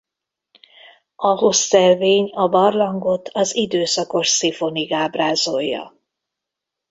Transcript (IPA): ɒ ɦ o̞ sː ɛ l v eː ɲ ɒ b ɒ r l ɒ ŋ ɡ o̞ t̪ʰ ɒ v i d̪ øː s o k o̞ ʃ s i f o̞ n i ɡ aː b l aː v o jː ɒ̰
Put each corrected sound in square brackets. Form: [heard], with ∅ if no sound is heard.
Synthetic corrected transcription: ɒ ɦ o̞ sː ɛ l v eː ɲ ɒ b ɒ r l ɒ ŋ ɡ o̞ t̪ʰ ɒ [z] i d̪ øː s [ɒ] k o̞ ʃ s i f o̞ n i ɡ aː b [r] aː [z] o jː ɒ̰